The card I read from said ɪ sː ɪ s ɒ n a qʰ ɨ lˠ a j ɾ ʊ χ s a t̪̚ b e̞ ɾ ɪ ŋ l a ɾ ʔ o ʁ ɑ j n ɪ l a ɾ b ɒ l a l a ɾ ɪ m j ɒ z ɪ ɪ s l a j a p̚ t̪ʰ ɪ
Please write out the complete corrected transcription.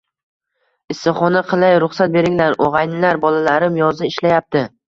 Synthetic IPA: ɪ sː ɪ χ ɒ n a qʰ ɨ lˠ a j ɾ ʊ χ s a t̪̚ b e̞ ɾ ɪ ŋ l a ɾ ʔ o ʁ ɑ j n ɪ l a ɾ b ɒ l a l a ɾ ɪ m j ɒ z ɪ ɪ ʃ l a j a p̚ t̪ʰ ɪ